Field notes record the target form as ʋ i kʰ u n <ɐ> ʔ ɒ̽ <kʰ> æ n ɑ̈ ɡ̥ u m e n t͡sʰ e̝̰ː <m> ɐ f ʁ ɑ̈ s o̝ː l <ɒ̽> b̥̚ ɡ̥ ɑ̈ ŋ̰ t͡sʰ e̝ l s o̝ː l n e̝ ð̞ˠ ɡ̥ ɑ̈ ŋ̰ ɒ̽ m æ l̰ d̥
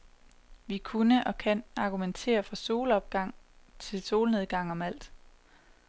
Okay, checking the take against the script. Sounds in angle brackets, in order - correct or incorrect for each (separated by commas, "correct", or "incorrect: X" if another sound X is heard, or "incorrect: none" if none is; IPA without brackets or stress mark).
incorrect: ə, correct, incorrect: none, correct